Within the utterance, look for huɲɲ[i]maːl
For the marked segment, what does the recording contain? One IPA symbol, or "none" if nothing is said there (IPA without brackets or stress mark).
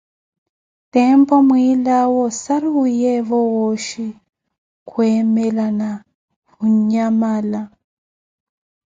a